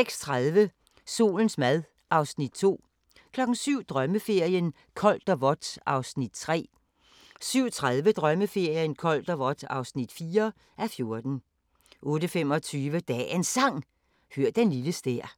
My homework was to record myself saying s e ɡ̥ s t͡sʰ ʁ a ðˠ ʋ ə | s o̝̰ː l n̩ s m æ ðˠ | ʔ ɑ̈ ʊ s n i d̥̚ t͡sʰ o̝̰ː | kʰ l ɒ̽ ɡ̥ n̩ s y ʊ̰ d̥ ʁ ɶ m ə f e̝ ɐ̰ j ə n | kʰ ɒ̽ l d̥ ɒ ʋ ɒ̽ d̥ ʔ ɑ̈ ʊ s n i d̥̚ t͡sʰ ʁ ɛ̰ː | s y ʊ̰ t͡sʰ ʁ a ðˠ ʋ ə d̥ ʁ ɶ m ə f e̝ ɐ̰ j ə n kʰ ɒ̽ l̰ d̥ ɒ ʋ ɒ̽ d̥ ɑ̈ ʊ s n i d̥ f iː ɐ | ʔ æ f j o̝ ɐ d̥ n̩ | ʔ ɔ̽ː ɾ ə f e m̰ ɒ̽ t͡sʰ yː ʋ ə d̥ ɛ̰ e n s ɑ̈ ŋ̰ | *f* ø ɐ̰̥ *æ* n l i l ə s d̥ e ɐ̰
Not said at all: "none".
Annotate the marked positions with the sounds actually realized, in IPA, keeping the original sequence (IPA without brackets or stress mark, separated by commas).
h, e